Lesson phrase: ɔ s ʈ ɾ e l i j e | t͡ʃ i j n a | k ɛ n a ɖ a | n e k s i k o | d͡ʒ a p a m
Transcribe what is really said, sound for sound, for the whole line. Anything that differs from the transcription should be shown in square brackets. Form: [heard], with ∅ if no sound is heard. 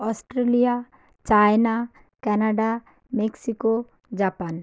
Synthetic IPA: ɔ s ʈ ɾ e l i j [a] | t͡ʃ [a] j n a | k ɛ n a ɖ a | [m] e k s i k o | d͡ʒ a p a [n]

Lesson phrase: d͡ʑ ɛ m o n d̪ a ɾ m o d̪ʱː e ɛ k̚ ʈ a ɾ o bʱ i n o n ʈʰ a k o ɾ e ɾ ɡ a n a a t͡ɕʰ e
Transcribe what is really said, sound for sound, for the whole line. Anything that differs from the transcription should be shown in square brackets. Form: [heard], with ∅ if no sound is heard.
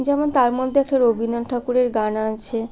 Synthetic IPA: d͡ʑ ɛ m o n [t̪] a ɾ m o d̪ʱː e ɛ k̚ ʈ a ɾ o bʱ i n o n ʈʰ a k [u] ɾ e ɾ ɡ a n a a t͡ɕʰ e

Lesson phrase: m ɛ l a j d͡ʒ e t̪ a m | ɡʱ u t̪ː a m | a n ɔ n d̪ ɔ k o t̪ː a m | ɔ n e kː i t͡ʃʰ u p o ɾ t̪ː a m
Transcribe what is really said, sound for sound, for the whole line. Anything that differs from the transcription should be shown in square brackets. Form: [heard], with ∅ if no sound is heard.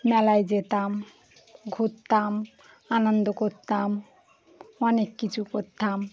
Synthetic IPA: m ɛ l a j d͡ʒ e t̪ a m | ɡʱ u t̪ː a m | a n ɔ n d̪ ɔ k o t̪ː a m | ɔ n e kː i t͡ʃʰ u [k] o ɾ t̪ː a m

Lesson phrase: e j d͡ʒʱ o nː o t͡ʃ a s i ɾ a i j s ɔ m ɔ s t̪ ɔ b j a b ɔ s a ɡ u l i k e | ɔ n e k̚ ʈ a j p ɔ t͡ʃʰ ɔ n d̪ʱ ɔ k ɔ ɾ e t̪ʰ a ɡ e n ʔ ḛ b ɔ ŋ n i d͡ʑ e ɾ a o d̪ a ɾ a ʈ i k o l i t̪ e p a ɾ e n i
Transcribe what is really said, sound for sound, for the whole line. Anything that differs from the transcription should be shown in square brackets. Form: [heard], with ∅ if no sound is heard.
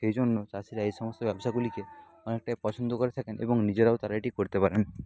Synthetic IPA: e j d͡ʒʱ o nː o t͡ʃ a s i ɾ a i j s ɔ m ɔ s t̪ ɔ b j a b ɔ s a ɡ u l i k e | ɔ n e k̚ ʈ a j p ɔ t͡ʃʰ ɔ n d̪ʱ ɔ k ɔ ɾ e t̪ʰ a [k] e n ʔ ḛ b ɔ ŋ n i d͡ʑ e ɾ a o [t̪] a ɾ a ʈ i k o [ɾ] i t̪ e p a ɾ e n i

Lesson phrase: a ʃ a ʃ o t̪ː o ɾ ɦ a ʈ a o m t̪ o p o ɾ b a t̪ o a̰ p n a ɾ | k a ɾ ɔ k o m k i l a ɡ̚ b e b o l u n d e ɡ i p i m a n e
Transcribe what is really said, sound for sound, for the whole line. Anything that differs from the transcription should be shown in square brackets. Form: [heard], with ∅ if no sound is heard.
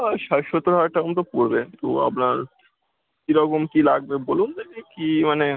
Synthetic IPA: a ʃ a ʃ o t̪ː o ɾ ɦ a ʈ a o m t̪ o p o ɾ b [e] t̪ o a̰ p n a ɾ | k [i] ɾ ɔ k o m k i l a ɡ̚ b e b o l u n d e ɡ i [k] i m a n e

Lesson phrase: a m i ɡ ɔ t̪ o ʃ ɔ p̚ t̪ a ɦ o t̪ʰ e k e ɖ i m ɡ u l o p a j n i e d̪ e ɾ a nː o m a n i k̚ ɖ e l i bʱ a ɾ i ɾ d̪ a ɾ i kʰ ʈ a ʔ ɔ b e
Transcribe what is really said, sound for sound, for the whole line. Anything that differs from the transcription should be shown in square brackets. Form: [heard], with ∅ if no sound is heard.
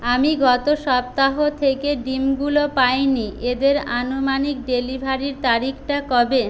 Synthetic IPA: a m i ɡ ɔ t̪ o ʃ ɔ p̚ t̪ a ɦ o t̪ʰ e k e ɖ i m ɡ u l o p a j n i e d̪ e ɾ a [n] o m a n i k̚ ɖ e l i bʱ a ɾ i ɾ [t̪] a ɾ i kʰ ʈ a [k] ɔ b e

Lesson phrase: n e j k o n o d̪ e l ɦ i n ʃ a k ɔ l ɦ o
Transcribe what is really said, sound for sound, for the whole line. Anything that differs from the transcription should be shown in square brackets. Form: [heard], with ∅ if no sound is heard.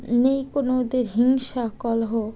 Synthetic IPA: n e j k o n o d̪ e [ɾ] ɦ i [ŋ] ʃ a k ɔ l ɦ o

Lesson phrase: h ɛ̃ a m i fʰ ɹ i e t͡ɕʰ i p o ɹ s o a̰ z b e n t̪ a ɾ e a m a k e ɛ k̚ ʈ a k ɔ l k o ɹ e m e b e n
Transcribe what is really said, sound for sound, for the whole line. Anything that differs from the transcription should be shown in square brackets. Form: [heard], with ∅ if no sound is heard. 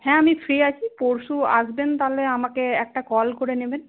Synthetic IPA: h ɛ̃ a m i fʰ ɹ i [a] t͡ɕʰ i p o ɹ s [u] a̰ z b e n t̪ a [l] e a m a k e ɛ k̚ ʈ a k ɔ l k o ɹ e [n] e b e n

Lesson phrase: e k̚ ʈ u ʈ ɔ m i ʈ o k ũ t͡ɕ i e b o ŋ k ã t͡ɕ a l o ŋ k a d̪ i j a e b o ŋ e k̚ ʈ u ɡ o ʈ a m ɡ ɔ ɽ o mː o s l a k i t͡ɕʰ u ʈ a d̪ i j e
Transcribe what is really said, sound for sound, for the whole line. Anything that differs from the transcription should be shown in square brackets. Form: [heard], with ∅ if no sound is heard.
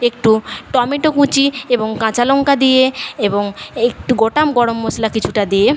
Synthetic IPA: e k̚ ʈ u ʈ ɔ m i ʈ o k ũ t͡ɕ i e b o ŋ k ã t͡ɕ a l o ŋ k a d̪ i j [e] e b o ŋ e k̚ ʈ u ɡ o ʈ a m ɡ ɔ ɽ o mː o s l a k i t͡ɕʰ u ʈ a d̪ i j e

